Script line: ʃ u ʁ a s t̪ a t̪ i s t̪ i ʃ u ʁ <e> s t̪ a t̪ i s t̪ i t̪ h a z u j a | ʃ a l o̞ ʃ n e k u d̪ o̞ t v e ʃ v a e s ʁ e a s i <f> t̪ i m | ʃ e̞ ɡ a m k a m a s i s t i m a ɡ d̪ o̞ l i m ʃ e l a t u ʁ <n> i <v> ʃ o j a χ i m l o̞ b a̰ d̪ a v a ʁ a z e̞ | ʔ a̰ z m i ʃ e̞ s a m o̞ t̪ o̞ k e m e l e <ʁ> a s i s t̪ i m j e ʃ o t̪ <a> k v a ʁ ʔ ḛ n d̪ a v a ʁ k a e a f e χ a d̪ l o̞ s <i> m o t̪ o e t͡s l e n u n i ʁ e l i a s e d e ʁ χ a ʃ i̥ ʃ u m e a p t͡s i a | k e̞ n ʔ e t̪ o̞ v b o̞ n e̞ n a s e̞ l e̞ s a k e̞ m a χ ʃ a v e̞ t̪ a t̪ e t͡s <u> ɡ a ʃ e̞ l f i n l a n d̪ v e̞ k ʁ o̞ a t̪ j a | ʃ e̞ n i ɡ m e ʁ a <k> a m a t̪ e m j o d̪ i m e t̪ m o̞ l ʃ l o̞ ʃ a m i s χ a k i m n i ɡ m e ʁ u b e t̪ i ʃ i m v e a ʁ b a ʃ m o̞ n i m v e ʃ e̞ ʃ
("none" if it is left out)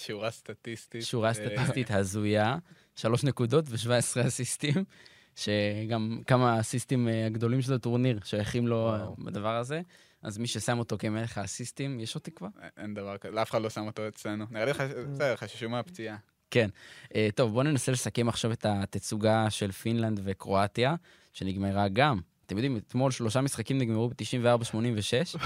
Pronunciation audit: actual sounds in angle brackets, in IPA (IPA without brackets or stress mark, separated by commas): a, s, n, ʁ, χ, i, a, u, ɡ